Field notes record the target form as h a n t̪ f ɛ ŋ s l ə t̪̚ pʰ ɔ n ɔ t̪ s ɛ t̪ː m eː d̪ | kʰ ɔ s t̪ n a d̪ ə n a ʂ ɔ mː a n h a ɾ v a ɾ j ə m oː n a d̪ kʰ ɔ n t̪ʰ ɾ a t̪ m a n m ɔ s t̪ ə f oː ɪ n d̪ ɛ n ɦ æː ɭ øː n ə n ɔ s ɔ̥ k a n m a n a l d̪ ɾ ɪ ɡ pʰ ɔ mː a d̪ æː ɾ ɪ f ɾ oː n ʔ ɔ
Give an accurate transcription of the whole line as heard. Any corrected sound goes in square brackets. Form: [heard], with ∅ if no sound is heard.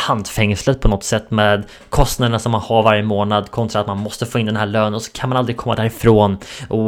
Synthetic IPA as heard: h a n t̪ f ɛ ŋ s l ə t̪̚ pʰ ɔ n ɔ t̪ s ɛ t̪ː m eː d̪ | kʰ ɔ s t̪ n a d̪ ə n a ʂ ɔ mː a n h a ɾ v a ɾ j ə m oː n a d̪ kʰ ɔ n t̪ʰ ɾ a t̪ m a n m ɔ s t̪ ə f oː ɪ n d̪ ɛ n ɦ æː ɭ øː n ə n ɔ s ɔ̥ [kʰ] a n m a n a l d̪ ɾ ɪ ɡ [kʰ] ɔ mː a d̪ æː ɾ ɪ f ɾ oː n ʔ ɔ